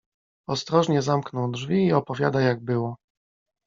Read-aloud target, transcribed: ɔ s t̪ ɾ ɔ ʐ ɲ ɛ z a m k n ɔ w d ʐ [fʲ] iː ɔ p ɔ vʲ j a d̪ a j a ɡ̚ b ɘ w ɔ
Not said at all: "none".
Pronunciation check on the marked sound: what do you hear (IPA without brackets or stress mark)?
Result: vʲ